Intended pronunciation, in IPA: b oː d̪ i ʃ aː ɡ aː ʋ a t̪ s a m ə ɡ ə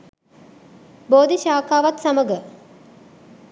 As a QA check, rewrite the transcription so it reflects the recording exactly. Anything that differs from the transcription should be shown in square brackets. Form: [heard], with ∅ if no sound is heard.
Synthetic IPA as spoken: b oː d̪ i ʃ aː [k] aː ʋ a t̪ s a m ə ɡ ə